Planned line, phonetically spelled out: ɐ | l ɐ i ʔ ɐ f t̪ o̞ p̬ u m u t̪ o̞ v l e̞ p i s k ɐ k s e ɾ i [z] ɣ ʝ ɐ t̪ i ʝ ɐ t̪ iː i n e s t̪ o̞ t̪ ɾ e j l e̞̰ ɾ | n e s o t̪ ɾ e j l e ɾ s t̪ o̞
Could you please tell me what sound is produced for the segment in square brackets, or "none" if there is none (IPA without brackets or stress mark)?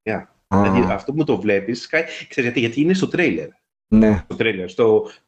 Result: z